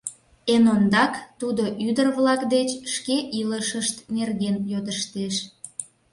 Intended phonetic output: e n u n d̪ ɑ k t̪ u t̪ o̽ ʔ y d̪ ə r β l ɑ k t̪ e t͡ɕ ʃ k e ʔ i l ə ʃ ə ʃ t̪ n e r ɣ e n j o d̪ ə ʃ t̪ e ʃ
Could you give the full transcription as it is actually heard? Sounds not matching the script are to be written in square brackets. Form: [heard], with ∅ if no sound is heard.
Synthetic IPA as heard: e n [o] n d̪ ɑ k t̪ u [d̪] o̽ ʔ y d̪ ə r β l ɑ k [d̪] e t͡ɕ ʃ k e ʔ i l ə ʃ ə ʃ t̪ n e r ɣ e n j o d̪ ə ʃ t̪ e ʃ